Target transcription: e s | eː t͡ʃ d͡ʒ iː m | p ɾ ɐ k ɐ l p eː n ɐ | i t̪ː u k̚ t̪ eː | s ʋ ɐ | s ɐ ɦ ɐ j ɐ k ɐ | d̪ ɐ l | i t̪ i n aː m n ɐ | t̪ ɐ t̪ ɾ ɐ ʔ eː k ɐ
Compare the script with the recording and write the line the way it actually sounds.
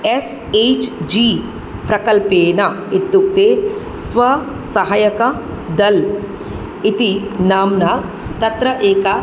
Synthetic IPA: e s | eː t͡ʃ d͡ʒ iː | p ɾ ɐ k ɐ l p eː n ɐ | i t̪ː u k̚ t̪ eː | s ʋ ɐ | s ɐ ɦ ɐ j ɐ k ɐ | d̪ ɐ l | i t̪ i n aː m n ɐ | t̪ ɐ t̪ ɾ ɐ ʔ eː k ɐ